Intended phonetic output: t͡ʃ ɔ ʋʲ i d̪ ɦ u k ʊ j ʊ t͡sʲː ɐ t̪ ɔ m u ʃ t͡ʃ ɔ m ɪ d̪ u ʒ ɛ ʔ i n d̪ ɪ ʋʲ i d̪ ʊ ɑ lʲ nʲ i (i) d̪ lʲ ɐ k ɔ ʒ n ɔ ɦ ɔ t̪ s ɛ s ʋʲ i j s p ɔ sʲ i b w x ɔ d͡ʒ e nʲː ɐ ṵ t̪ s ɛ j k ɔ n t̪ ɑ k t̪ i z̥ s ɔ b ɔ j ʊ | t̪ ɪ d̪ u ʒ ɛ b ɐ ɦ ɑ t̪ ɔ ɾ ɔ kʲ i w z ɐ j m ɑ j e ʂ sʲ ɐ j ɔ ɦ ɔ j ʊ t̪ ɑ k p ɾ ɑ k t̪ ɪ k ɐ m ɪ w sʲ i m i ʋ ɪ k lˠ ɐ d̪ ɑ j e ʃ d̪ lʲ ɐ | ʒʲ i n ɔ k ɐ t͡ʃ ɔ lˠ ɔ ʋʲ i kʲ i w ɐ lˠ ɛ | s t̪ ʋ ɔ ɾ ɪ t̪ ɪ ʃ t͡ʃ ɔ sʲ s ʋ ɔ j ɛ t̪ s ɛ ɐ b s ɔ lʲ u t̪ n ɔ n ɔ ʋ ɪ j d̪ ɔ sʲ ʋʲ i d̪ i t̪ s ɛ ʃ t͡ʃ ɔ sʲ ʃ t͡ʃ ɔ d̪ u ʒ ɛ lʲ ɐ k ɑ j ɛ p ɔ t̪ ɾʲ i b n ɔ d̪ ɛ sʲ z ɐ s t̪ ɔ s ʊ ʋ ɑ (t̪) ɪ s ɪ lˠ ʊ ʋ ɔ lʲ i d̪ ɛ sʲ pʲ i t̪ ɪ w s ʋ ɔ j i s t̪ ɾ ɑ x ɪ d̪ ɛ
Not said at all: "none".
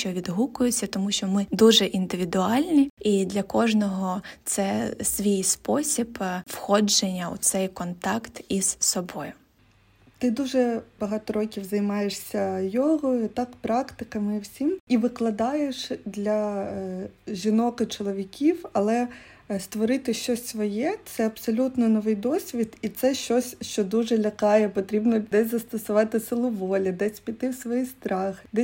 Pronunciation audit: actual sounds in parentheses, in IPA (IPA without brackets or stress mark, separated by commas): i, t̪